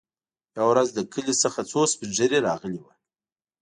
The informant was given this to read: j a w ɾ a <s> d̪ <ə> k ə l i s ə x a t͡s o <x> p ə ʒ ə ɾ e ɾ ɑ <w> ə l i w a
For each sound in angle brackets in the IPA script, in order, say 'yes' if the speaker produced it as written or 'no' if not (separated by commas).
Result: no, yes, no, no